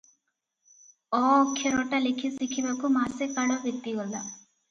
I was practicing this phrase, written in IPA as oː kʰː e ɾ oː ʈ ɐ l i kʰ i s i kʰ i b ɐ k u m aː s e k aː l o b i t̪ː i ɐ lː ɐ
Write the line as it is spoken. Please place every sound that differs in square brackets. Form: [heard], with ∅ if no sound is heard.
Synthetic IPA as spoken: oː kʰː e ɾ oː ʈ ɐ l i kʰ i s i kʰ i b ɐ k u m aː s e k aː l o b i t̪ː i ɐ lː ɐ